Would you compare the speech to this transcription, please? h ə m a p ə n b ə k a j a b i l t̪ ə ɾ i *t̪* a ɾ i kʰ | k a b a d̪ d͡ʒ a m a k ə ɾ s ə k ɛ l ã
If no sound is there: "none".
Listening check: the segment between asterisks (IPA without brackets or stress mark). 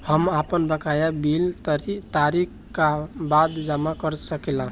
t̪